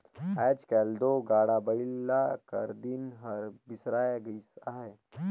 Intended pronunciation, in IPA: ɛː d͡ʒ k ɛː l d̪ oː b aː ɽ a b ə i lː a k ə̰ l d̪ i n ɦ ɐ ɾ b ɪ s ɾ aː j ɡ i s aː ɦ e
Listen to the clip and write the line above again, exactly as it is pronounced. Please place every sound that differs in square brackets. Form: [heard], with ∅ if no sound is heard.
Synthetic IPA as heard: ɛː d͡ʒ k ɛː l d̪ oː [ɡ] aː ɽ a b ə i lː a k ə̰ [ɾ] d̪ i n ɦ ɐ ɾ b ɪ s ɾ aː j ɡ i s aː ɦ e